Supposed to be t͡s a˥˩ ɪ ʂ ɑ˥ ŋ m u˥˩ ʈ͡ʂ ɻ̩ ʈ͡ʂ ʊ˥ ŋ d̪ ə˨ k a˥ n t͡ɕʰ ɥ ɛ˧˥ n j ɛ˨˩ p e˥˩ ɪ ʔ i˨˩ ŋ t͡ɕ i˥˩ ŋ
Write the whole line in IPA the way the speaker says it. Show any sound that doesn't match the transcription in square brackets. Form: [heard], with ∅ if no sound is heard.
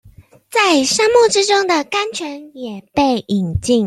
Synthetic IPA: t͡s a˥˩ ɪ ʂ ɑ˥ ŋ m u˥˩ ʈ͡ʂ ɻ̩ ʈ͡ʂ ʊ˥ ŋ d̪ ə˨ k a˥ n t͡ɕʰ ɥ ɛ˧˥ n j ɛ˨˩ p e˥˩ ɪ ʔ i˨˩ ŋ t͡ɕ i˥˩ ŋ